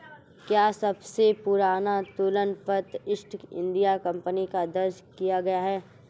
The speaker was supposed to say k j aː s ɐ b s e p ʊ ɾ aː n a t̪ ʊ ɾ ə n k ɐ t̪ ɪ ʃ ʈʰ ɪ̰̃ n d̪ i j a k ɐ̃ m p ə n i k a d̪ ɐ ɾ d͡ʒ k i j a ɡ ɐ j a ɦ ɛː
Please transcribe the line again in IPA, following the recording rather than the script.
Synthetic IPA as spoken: k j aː s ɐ b s e p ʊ ɾ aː n a t̪ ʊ l ə n p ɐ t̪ ɪ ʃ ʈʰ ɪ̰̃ n d̪ i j a k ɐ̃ m p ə n i k a d̪ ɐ ɾ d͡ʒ k i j a ɡ ɐ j a ɦ ɛː

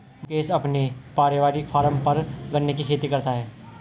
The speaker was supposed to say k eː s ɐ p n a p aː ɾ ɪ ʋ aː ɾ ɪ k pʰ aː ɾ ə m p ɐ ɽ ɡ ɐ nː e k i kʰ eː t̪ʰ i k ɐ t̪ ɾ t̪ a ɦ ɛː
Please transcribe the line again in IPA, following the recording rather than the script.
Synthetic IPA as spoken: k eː s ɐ p n e p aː ɾ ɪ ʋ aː ɾ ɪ k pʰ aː ɾ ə m p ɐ ɾ ɡ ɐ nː e k i kʰ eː t̪ i k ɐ ɾ t̪ a ɦ ɛː

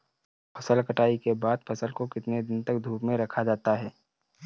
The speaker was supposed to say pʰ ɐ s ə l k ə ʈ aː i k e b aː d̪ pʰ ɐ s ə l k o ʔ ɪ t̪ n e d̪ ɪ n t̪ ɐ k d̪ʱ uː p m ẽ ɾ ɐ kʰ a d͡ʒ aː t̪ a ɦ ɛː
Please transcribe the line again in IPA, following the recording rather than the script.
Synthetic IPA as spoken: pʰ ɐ s ə l k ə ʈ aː i k e b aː d̪ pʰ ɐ s ə l k o k ɪ t̪ n e d̪ ɪ n t̪ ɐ k d̪ʱ uː p m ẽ ɾ ɐ kʰ a d͡ʒ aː t̪ a ɦ ɛː

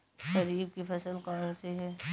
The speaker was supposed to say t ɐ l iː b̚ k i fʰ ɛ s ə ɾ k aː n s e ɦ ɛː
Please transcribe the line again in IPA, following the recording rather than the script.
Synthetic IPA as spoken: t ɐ ɾ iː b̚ k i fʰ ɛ s ə l k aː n s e ɦ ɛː

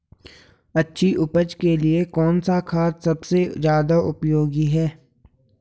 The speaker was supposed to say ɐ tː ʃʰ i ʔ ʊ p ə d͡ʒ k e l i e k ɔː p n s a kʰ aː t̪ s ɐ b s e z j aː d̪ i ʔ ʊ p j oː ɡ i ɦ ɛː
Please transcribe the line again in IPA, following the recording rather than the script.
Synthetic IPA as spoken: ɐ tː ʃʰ i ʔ ʊ p ə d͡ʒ k e l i e k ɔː n s a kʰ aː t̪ s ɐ b s e z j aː d̪ a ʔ ʊ p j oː ɡ i ɦ ɛː

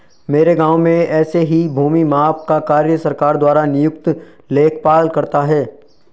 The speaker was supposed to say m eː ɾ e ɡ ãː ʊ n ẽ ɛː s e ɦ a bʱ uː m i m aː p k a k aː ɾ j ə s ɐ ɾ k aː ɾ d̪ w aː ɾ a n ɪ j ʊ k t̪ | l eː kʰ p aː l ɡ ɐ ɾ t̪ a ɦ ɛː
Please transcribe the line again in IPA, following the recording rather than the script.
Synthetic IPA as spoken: m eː ɾ e ɡ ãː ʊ m ẽ ɛː s e ɦ i bʱ uː m i m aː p k a k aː ɾ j ə s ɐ ɾ k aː ɾ d̪ w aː ɾ a n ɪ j ʊ k t̪ | l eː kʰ p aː l k ɐ ɾ t̪ a ɦ ɛː

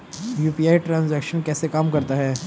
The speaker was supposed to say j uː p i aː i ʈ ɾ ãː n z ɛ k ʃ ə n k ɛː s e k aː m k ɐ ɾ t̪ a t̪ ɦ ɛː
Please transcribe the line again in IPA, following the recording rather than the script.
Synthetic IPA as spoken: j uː p i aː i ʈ ɾ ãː n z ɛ k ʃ ə n k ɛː s e k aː m k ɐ ɾ t̪ a ɦ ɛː

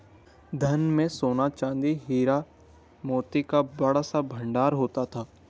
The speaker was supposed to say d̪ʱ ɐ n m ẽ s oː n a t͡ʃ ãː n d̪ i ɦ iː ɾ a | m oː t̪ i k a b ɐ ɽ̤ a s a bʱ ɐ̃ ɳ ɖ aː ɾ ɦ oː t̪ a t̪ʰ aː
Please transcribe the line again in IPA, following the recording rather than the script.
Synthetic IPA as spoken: d̪ʱ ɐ n m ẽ s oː n a t͡ʃ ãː n d̪ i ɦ iː ɾ a | m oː t̪ i k a b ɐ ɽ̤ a s a bʱ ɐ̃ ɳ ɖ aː ɾ ɦ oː t̪ a t̪ʰ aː

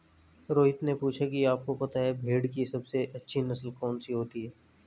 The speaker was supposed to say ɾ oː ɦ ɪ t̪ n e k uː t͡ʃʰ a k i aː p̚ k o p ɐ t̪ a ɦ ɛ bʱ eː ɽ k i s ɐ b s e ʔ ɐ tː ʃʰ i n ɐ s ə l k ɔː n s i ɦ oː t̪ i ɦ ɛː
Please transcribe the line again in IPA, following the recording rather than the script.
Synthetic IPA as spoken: ɾ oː ɦ ɪ t̪ n e p uː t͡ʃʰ a k i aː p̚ k o p ɐ t̪ a ɦ ɛ bʱ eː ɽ k i s ɐ b s e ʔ ɐ tː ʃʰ i n ɐ s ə l k ɔː n s i ɦ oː t̪ i ɦ ɛː

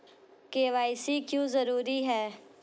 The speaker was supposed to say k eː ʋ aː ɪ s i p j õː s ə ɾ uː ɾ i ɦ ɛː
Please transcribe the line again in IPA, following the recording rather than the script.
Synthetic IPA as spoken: k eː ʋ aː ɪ s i k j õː z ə ɾ uː ɾ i ɦ ɛː

